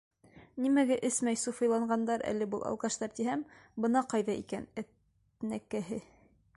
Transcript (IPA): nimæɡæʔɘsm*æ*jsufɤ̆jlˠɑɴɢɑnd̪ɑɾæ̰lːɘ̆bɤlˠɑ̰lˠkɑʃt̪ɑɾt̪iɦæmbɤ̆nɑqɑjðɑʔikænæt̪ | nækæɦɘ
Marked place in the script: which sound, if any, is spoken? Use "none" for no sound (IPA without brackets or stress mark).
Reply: æ